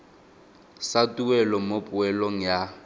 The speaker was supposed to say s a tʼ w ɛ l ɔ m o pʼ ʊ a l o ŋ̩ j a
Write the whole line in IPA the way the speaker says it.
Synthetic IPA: s a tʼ u ɛ l ɔ m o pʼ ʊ ɛ l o ŋ̩ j a